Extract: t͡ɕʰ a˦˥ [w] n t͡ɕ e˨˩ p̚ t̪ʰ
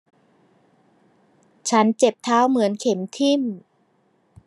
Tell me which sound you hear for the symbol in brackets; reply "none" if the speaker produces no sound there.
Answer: none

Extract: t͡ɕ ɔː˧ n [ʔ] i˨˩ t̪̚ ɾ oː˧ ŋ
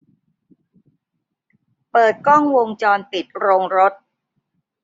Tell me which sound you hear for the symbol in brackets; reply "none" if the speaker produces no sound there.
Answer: p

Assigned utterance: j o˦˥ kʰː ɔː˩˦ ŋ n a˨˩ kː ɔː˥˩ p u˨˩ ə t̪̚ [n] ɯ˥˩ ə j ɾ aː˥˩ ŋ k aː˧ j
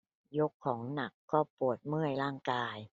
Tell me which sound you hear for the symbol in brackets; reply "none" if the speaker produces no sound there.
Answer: m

